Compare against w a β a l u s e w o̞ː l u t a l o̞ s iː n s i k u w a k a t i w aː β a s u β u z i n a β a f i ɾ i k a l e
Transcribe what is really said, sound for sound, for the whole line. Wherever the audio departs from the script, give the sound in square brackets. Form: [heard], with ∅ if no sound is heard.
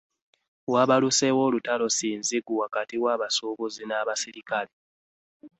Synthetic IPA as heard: w a β a l u s e w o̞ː l u t a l o̞ s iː n [z] i [ɡ] u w a k a t i w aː β a s u β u z i n a β a [s] i ɾ i k a l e